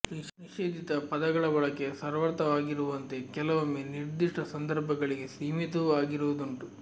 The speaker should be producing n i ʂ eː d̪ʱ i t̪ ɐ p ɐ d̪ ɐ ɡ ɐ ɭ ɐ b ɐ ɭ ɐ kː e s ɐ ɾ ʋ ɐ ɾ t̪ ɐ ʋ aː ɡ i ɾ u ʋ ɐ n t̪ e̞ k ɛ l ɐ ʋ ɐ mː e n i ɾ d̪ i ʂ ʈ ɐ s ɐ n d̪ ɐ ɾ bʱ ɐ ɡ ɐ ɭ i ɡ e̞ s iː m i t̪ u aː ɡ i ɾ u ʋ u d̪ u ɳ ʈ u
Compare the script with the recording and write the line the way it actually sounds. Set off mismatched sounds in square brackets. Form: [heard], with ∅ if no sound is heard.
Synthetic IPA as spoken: n i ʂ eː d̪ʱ i t̪ ɐ p ɐ d̪ ɐ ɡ ɐ ɭ ɐ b ɐ ɭ ɐ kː e s ɐ ɾ ʋ ɐ ɾ t̪ ɐ ʋ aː ɡ i ɾ u ʋ ɐ n t̪ e̞ k ɛ l ɐ ʋ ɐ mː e n i ɾ d̪ i ʂ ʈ ɐ s ɐ n d̪ ɐ ɾ bʱ ɐ ɡ ɐ ɭ i ɡ e̞ s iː m i t̪ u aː ɡ i ɾ u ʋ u d̪ u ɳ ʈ u